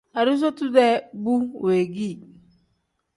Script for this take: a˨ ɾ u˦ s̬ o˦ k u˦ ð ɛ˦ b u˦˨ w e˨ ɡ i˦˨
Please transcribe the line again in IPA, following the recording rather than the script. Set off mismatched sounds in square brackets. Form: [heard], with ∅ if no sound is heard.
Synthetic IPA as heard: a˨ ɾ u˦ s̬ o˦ [t] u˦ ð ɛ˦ b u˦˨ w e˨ ɡ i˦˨